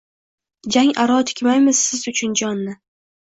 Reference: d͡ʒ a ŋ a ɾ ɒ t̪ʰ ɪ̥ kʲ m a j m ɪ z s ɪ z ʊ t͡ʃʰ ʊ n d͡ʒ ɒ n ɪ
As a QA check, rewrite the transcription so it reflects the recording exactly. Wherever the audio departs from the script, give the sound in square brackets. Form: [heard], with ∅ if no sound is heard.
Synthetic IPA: d͡ʒ a ŋ a ɾ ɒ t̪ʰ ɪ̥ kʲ m a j m ɪ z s ɪ z ʊ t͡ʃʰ ʊ n d͡ʒ ɒ [nː] ɪ